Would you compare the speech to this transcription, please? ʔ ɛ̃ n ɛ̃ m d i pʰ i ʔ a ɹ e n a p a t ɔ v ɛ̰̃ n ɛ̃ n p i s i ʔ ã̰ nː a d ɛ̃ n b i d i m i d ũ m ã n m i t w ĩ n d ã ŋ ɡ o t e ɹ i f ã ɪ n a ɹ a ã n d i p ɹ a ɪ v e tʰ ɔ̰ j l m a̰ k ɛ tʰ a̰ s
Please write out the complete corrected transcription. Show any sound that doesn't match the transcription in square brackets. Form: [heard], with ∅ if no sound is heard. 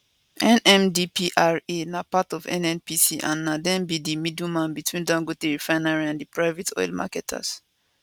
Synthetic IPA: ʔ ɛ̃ n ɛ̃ m d i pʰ i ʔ a ɹ e n a p a t ɔ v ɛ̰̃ n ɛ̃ n p i s i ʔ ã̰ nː a d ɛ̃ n b i d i m i d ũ m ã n [b] i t w ĩ n d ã ŋ ɡ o t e ɹ i f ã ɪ n a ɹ [i] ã n d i p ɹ a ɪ v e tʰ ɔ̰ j l m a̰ k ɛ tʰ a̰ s

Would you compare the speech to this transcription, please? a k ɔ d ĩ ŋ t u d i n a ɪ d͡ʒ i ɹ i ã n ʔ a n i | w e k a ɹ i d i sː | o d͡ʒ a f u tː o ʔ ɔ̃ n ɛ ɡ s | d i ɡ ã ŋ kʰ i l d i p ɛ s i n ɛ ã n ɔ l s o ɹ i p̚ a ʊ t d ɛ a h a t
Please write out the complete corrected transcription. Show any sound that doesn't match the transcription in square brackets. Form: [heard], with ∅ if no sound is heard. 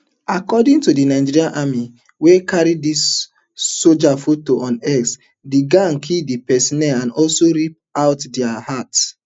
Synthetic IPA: a k ɔ d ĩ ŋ t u d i n a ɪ d͡ʒ i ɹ i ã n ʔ a [m] i | w e k a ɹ i d i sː | o d͡ʒ a f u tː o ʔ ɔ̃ n ɛ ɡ s | d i ɡ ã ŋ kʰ i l d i p ɛ s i n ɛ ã n ɔ l s o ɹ i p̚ a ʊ t d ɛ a h a t

